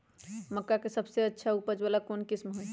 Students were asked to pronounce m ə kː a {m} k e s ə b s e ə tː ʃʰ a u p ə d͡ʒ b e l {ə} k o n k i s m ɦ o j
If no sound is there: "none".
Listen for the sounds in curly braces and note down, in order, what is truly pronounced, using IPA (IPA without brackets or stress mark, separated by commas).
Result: none, a